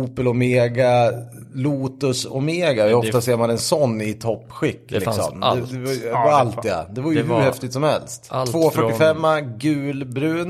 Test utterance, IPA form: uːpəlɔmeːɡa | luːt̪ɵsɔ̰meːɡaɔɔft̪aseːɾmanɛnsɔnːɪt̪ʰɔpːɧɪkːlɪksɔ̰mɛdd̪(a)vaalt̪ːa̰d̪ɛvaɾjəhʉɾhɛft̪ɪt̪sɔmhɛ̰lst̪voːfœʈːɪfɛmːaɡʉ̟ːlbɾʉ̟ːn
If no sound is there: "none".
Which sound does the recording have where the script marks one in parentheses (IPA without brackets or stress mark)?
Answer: ɛ